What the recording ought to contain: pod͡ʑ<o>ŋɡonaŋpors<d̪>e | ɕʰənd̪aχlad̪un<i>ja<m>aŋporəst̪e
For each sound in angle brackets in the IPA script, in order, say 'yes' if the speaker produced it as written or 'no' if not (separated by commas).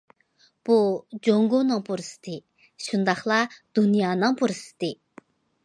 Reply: yes, no, yes, no